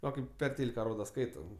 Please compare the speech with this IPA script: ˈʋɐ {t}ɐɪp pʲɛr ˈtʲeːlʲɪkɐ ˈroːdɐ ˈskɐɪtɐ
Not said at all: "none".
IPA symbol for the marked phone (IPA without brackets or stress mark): k